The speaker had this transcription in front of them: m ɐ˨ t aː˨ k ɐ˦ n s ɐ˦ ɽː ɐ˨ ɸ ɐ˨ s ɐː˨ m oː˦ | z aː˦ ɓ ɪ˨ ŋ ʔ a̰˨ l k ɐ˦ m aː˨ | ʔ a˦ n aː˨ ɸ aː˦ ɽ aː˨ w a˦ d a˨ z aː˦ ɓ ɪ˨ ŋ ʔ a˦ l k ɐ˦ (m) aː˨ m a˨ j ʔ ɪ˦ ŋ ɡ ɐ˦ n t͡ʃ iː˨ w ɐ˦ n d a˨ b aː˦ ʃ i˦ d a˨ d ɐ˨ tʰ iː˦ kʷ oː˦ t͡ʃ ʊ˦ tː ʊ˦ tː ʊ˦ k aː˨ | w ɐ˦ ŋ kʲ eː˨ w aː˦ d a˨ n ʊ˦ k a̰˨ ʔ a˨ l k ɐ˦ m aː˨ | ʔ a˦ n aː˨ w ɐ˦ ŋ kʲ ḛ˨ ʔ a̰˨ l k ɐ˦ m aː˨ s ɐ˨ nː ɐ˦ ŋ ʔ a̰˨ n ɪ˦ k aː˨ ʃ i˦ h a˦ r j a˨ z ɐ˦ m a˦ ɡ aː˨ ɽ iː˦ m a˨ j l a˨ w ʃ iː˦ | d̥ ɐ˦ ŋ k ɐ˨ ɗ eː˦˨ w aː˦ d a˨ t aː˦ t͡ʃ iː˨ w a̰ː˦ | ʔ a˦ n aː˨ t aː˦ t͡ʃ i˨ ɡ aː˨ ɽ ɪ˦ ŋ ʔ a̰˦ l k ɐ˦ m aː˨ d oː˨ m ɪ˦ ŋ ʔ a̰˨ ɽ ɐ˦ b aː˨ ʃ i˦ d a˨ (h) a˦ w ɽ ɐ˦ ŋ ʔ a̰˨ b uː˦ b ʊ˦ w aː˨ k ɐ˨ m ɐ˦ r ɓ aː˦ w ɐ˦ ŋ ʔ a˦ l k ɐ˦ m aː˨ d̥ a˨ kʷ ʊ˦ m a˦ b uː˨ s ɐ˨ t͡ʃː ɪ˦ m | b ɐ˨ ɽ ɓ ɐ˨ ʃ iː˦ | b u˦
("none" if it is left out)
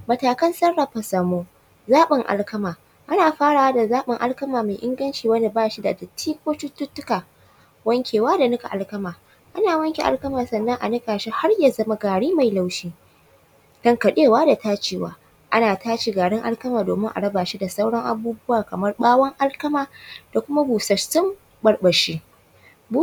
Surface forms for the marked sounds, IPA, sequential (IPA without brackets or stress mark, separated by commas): m, s